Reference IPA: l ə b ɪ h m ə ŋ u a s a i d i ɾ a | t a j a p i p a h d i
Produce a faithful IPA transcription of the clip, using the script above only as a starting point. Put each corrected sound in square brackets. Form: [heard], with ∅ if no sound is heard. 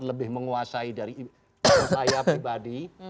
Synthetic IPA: l ə b ɪ h m ə ŋ u a s a i d [a] ɾ [i] | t a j a p i [b] a [∅] d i